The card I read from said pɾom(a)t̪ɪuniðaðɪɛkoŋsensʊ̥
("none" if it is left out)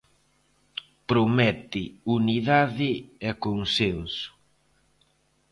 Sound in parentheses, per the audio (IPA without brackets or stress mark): ɛ